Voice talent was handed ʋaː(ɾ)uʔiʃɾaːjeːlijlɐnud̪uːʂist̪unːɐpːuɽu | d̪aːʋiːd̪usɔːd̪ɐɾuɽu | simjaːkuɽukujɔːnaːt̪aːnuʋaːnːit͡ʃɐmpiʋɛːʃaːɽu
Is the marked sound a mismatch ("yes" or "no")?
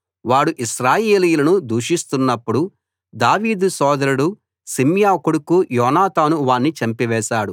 yes